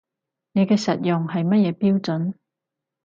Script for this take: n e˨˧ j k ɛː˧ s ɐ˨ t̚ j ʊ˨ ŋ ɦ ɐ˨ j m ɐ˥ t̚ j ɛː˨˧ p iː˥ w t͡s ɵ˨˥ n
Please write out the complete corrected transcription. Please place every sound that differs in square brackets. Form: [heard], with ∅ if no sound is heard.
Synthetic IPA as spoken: n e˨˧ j k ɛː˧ s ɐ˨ t̚ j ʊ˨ ŋ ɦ ɐ˨ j m ɐ˥ t̚ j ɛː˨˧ p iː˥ w t͡s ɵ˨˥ n